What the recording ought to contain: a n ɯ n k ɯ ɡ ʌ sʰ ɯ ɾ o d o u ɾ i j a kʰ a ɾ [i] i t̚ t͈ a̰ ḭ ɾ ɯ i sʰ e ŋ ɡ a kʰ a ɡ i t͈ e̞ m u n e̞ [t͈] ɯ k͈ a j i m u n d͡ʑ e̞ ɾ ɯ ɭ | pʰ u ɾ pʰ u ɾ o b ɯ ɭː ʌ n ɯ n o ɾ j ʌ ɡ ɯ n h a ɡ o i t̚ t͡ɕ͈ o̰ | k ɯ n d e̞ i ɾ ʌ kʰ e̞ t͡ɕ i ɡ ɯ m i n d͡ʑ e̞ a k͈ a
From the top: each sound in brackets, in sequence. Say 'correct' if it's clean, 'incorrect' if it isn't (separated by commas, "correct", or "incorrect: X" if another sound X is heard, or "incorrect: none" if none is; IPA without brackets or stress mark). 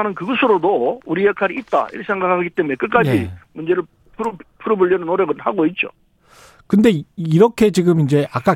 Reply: correct, incorrect: k͈